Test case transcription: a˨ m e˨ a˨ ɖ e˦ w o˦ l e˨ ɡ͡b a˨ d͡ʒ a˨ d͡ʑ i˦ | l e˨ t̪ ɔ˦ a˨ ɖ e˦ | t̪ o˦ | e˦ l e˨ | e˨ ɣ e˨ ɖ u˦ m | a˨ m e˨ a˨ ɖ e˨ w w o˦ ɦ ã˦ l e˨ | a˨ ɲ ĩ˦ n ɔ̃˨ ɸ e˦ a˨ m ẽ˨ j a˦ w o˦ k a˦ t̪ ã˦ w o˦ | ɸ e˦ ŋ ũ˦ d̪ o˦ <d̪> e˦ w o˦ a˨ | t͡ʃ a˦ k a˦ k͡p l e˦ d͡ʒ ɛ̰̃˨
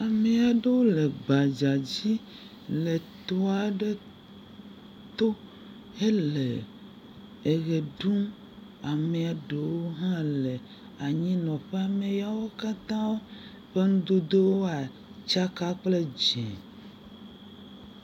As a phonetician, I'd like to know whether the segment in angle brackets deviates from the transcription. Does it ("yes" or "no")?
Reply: no